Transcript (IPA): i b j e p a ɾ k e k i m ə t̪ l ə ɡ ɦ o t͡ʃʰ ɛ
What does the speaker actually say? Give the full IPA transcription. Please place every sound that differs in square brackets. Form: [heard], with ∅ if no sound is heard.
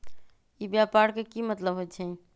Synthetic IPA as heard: i b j [a] p a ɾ k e k i m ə t̪ l ə [b] ɦ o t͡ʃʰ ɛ